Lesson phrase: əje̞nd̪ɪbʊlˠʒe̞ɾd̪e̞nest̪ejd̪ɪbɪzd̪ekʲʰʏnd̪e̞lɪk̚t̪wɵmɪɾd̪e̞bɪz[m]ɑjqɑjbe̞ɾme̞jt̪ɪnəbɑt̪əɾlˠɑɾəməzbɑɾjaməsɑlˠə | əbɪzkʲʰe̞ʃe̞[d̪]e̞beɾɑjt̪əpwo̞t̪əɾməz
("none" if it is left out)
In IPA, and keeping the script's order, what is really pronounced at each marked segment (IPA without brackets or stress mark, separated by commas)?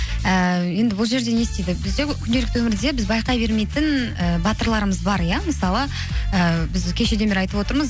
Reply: b, d̪